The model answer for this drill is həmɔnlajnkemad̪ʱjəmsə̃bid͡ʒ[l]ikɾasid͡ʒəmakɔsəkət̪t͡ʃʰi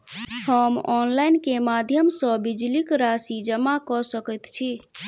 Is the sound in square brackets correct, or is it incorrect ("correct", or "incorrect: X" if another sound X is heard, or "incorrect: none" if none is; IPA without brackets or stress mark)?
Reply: correct